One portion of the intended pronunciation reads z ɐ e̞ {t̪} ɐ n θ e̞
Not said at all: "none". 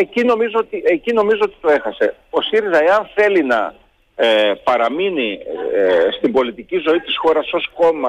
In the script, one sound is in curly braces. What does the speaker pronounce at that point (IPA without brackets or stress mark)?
none